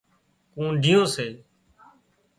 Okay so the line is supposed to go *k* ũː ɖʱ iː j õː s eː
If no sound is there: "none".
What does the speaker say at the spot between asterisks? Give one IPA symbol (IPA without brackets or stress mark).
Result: k